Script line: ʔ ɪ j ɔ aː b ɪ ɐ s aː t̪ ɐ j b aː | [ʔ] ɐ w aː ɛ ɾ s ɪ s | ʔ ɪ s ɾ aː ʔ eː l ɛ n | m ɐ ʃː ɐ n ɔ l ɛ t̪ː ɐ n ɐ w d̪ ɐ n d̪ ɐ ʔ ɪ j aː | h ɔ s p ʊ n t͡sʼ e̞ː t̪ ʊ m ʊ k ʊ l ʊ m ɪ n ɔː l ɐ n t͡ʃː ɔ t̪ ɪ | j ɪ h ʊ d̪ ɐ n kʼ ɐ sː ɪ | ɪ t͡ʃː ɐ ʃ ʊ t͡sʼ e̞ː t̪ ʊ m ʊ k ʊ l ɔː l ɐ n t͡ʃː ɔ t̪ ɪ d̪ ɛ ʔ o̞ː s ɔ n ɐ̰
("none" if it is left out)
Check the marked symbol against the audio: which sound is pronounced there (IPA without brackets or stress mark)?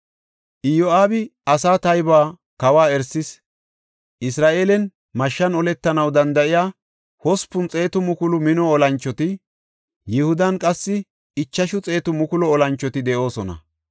k